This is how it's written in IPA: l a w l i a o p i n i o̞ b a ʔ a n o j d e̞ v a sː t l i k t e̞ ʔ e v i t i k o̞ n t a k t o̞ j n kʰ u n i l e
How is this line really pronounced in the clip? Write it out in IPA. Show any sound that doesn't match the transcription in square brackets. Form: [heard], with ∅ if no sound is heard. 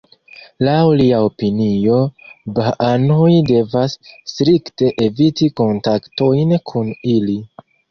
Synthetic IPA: l a w l i a o p i n i o̞ b a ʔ a n o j d e̞ v a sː t [ɾ] i k t e̞ ʔ e v i t i k o̞ n t a k t o̞ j n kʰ u n i l [i]